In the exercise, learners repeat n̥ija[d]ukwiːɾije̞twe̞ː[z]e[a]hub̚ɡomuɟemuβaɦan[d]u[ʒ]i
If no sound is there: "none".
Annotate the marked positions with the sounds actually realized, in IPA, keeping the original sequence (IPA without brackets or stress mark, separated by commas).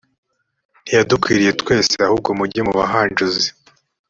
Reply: d, s, a, d͡ʒ, z